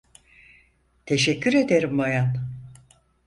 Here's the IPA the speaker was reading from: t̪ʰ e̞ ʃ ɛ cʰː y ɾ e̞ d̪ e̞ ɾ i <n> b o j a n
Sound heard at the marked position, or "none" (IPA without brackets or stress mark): m